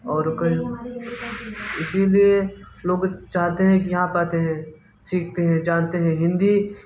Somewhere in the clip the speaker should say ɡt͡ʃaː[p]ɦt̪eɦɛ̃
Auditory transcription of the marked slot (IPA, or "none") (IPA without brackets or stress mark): none